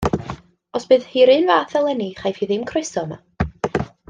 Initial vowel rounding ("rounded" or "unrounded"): rounded